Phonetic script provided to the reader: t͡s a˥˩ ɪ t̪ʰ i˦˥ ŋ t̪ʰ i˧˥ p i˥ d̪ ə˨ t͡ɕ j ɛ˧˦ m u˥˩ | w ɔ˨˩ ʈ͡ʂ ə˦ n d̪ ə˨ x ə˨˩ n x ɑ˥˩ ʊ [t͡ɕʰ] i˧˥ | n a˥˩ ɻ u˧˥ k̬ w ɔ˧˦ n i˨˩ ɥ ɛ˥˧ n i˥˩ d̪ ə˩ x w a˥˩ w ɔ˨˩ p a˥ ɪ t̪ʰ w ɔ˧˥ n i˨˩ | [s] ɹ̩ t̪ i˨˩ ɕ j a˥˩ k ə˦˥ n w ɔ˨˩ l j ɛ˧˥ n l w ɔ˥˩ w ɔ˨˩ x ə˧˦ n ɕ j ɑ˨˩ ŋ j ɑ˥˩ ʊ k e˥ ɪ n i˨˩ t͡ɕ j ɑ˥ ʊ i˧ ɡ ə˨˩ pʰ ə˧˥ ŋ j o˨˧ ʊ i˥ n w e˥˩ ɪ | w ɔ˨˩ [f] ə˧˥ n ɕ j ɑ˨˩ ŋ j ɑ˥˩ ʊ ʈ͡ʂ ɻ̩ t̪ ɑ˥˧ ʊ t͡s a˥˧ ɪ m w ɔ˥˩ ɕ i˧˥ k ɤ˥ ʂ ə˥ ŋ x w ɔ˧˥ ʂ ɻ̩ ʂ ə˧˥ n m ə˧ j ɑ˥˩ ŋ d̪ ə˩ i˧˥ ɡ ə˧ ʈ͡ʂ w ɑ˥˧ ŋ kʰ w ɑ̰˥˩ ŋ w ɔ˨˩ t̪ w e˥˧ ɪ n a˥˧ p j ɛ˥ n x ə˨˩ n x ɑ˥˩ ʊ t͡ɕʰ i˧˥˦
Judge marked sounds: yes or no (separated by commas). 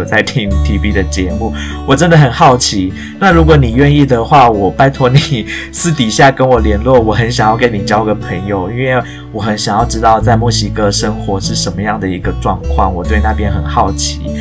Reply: yes, yes, no